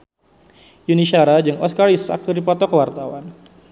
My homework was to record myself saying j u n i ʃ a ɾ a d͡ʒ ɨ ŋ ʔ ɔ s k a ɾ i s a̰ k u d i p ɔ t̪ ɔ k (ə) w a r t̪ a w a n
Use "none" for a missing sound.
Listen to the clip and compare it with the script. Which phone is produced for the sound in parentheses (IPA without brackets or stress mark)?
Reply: ə